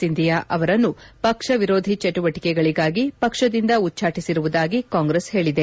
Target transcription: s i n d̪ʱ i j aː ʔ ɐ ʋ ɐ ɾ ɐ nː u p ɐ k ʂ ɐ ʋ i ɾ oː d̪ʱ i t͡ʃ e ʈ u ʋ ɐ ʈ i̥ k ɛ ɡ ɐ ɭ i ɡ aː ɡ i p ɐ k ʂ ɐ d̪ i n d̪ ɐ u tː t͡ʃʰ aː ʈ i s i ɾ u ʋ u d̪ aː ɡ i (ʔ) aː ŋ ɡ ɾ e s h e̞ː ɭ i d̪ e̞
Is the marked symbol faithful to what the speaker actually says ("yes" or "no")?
no